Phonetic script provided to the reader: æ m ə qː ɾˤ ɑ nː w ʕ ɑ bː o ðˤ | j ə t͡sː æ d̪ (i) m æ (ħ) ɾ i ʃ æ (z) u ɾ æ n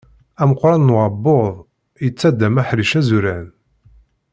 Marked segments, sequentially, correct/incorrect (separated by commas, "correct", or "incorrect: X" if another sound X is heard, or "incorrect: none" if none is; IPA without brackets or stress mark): incorrect: æ, correct, correct